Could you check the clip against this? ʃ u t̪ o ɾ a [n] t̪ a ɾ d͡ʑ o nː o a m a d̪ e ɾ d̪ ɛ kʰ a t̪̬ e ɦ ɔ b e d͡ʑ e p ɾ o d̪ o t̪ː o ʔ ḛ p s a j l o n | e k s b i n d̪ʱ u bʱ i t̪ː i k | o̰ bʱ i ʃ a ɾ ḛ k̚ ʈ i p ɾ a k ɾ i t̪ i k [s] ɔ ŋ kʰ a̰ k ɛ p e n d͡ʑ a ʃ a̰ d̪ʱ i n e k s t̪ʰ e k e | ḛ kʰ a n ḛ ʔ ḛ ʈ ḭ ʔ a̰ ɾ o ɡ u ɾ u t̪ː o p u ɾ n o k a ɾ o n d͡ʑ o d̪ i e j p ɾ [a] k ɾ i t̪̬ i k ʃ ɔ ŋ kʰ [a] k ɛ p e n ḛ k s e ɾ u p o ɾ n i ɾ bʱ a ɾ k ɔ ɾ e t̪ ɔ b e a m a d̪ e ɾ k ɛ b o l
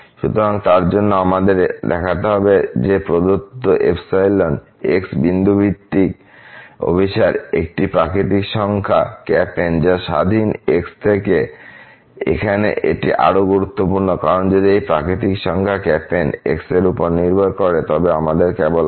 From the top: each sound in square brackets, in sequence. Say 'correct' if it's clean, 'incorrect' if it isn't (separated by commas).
incorrect, incorrect, correct, correct